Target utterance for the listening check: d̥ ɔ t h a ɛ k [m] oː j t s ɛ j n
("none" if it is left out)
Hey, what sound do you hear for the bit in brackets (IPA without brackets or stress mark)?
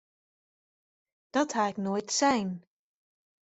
n